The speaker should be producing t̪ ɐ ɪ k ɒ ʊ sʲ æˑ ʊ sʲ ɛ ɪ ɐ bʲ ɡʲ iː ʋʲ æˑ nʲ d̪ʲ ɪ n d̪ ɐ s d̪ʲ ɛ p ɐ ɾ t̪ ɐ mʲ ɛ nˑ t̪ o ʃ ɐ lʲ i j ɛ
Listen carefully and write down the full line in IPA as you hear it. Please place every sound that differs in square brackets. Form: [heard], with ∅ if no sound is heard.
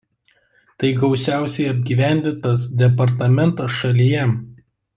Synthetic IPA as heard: t̪ ɐ ɪ [ɡ] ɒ ʊ sʲ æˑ ʊ sʲ ɛ ɪ ɐ bʲ ɡʲ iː ʋʲ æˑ nʲ d̪ʲ ɪ n [t̪] ɐ s d̪ʲ ɛ p ɐ ɾ t̪ ɐ mʲ ɛ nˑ t̪ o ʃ ɐ lʲ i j ɛ